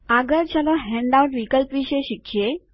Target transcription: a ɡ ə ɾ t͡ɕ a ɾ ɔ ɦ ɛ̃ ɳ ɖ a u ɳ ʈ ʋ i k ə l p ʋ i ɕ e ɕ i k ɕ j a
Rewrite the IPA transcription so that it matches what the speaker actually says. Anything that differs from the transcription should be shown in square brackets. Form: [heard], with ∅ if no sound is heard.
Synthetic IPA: a ɡ ə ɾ t͡ɕ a [l] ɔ ɦ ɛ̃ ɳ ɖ a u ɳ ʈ ʋ i k ə l p ʋ i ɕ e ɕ i k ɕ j [e]